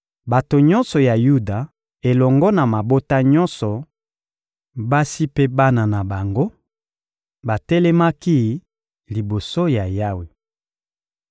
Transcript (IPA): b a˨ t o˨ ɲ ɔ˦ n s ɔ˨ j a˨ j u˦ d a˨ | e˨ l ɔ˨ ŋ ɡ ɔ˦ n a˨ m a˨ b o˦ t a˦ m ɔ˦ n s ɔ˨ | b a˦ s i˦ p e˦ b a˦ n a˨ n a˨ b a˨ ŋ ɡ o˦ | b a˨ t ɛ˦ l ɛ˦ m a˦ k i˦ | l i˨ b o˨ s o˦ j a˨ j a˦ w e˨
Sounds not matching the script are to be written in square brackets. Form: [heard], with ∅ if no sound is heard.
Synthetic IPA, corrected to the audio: b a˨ t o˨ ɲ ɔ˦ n s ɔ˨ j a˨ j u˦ d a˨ | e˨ l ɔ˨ ŋ ɡ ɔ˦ n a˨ m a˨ b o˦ t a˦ [ɲ] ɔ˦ n s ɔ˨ | b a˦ s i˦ p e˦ b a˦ n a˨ n a˨ b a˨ ŋ ɡ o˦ | b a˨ t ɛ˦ l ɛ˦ m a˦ k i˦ | l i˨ b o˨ s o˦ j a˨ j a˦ w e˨